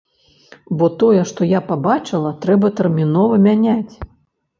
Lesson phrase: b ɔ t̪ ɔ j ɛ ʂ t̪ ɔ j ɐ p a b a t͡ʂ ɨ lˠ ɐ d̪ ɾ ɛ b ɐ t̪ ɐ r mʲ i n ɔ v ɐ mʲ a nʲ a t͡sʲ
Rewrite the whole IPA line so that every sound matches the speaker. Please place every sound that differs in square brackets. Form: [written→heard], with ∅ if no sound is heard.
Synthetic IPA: b ɔ t̪ ɔ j ɛ ʂ t̪ ɔ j [ɐ→a] p a b a t͡ʂ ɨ lˠ ɐ [d̪→t̪] ɾ ɛ b ɐ t̪ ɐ r mʲ i n ɔ v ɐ mʲ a nʲ a t͡sʲ